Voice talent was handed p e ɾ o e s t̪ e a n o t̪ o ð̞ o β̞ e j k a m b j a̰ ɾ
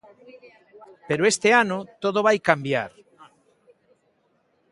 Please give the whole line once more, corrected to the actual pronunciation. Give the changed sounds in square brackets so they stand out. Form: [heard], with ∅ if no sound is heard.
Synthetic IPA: p e ɾ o e s t̪ e a n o t̪ o ð̞ o β̞ [a] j k a m b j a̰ ɾ